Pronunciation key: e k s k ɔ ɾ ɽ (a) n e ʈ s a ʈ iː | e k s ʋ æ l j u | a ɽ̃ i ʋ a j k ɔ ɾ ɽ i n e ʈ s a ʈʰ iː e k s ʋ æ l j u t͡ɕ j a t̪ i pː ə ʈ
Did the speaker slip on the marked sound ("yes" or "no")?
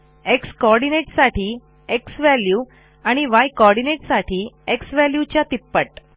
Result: yes